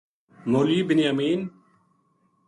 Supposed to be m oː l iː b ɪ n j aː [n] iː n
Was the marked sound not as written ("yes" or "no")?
yes